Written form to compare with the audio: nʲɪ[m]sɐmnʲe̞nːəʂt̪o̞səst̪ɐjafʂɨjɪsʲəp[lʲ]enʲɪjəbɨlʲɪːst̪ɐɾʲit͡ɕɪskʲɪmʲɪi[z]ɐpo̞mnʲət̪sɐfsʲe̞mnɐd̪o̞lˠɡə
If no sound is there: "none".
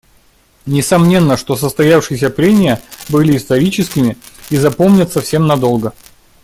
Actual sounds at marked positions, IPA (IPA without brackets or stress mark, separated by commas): none, ɾʲ, z